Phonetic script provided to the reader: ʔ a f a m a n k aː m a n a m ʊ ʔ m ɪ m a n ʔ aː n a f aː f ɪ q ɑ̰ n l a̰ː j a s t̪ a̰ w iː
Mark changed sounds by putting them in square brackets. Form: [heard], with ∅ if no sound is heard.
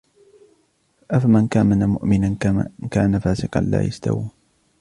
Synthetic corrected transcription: ʔ a f a m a n k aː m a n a m ʊ ʔ m ɪ [n] a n [k] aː n a f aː [s] ɪ q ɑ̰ n l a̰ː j a s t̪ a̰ w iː

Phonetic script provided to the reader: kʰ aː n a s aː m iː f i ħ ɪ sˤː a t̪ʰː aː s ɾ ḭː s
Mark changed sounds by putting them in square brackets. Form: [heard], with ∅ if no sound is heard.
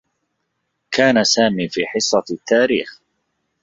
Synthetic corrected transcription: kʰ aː n a s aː m iː f [iː] ħ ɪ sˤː [ɑ] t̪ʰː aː [∅] ɾ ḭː [x]

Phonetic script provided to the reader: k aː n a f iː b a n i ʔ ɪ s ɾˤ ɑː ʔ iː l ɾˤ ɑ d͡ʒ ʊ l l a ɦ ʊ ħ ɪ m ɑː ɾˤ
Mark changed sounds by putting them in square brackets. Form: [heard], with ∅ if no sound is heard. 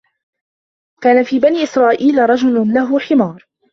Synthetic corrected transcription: k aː n a f iː b a n [iː] ʔ ɪ s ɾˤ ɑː ʔ iː l ɾˤ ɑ d͡ʒ ʊ l l a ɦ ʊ ħ ɪ m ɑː ɾˤ

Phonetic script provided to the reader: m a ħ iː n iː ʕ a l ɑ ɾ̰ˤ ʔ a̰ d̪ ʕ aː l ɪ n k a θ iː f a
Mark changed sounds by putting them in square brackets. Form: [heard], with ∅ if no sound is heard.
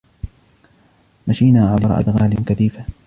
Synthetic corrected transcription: m a [ʃ] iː n [aː] ʕ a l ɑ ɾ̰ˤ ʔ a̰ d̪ [ɣ] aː l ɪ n k a θ iː f a

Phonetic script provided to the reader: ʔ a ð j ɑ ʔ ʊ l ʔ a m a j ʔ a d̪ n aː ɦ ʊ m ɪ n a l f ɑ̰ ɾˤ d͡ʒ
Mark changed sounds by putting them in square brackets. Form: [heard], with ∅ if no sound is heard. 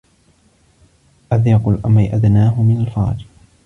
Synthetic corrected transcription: ʔ a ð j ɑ [q] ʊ l ʔ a m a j ʔ a d̪ n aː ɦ ʊ m ɪ n a l f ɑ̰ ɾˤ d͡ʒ

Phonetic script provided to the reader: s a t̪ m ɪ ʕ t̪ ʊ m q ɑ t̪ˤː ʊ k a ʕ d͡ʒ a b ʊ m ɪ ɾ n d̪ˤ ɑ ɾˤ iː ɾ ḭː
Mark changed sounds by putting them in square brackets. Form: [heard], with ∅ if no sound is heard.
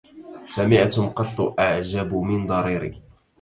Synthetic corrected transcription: s a [∅] m ɪ ʕ t̪ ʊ m q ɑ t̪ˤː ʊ [ʔ] a ʕ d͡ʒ a b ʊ m ɪ [∅] n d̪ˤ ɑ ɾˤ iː ɾ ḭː

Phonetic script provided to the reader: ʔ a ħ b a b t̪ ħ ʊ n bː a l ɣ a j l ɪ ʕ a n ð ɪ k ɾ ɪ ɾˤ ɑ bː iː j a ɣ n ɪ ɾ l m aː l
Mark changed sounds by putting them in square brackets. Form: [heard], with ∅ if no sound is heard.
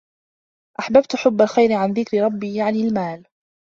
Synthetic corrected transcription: ʔ a ħ b a b t̪ ħ ʊ [∅] bː a l [x] a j [ɾ] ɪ ʕ a n ð ɪ k ɾ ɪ ɾˤ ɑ bː iː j a [ʕ] n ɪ [∅] l m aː l

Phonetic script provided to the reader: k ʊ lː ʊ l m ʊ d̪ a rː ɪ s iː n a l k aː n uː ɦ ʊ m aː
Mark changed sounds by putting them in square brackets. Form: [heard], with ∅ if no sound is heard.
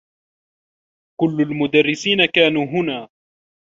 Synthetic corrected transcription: k ʊ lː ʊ l m ʊ d̪ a rː ɪ s iː n a [∅] k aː n uː ɦ ʊ [n] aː

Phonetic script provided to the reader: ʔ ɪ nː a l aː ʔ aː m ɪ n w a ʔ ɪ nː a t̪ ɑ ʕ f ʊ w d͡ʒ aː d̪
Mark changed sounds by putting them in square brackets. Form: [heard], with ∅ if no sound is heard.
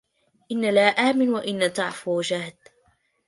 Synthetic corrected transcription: ʔ ɪ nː a l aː ʔ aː m ɪ n w a ʔ ɪ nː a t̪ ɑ ʕ f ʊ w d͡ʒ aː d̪

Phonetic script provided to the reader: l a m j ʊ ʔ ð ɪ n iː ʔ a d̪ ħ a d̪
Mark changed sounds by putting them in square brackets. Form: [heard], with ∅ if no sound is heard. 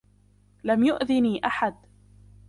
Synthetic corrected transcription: l a m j ʊ ʔ ð ɪ n iː ʔ a [∅] ħ a d̪

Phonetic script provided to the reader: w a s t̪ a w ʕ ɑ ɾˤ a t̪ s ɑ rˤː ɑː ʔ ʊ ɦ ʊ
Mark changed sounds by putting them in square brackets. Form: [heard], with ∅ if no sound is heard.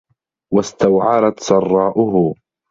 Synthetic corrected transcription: w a s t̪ a w ʕ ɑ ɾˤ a t̪ s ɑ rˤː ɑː ʔ ʊ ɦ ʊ

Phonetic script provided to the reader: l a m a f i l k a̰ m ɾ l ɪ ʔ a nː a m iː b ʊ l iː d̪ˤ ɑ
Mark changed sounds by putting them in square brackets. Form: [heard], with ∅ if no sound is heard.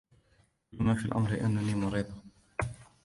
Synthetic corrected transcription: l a m a f i l [ʔ] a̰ m ɾ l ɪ ʔ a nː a [n] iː [m] ʊ [ɾ] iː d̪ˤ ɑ

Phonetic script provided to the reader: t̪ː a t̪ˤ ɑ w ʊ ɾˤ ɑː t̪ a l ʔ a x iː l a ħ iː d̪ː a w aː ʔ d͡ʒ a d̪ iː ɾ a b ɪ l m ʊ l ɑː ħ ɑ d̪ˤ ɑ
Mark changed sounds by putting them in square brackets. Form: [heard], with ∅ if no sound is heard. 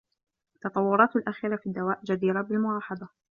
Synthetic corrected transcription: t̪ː [ɑ] t̪ˤ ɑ [wː] ʊ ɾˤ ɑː t̪ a l ʔ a x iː [ɾ] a [f] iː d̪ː a w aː ʔ d͡ʒ a d̪ iː ɾ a b ɪ l m ʊ l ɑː ħ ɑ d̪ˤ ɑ

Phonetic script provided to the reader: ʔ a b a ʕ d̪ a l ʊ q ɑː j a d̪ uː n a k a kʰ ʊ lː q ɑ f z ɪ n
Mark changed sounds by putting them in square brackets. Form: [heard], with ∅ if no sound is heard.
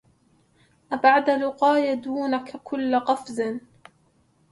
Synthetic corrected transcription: ʔ a b a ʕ d̪ a l ʊ q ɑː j a d̪ uː n a k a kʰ ʊ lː q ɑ f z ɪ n

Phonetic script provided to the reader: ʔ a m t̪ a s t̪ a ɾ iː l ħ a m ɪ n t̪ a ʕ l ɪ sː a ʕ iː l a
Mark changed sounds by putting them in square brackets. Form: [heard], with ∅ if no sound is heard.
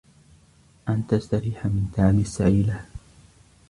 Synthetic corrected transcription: ʔ a [n] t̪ a s t̪ a ɾ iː [∅] ħ a m ɪ n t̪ a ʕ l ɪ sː a ʕ iː l a

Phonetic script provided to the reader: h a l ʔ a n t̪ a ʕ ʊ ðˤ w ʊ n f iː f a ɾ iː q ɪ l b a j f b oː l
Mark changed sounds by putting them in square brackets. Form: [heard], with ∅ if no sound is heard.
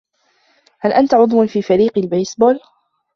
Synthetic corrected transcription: h a l ʔ a n t̪ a ʕ ʊ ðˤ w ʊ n f iː f a ɾ iː q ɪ l b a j [s] b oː l

